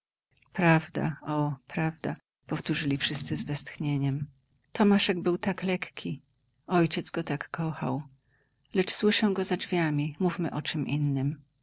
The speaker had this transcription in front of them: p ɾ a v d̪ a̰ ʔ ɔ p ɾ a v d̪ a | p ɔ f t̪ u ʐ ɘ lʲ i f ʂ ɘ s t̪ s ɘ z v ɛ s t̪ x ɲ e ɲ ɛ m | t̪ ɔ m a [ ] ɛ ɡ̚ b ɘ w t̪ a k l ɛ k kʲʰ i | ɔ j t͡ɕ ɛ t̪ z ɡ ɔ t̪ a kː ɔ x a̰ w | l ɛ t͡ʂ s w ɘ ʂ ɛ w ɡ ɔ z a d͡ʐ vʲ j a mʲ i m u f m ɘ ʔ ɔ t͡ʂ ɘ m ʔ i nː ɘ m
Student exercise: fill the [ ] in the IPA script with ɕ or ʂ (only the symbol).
ʂ